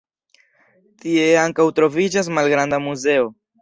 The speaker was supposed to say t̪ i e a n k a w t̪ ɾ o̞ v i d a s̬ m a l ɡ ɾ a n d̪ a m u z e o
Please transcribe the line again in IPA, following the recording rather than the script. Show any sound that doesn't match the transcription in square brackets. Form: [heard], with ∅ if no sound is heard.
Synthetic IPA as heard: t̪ i e a [ŋ] k a w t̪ ɾ o̞ v i [d͡ʒ] a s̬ m a l ɡ ɾ a n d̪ a m u z e o